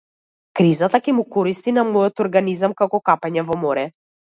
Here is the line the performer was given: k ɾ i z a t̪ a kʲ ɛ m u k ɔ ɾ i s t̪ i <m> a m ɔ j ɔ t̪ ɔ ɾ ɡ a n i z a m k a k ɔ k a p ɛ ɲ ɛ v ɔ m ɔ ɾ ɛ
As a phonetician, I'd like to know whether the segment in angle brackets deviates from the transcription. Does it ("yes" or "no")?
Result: yes